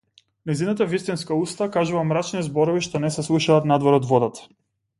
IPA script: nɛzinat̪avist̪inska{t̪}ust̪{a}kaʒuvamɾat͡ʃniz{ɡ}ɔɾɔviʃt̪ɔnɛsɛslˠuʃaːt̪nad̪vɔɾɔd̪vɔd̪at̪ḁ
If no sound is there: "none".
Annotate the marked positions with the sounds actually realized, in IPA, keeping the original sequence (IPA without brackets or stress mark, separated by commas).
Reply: none, a, b